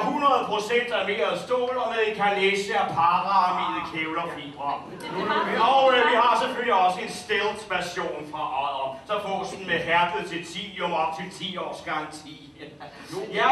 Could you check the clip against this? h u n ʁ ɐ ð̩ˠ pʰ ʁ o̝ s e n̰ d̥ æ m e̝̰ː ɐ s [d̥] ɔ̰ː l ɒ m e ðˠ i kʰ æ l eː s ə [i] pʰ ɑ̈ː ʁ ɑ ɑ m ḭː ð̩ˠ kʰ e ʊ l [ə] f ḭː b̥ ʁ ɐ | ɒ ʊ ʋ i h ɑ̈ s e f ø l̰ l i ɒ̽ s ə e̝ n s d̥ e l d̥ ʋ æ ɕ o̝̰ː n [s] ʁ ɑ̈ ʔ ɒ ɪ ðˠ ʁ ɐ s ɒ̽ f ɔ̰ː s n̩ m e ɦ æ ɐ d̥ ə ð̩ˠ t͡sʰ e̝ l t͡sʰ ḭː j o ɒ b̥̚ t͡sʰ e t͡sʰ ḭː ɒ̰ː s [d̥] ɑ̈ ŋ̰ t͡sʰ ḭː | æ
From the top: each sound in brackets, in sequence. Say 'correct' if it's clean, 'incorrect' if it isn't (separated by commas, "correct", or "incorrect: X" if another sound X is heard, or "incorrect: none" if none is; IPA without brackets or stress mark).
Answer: correct, incorrect: æ, incorrect: ɐ, incorrect: f, incorrect: ɡ̥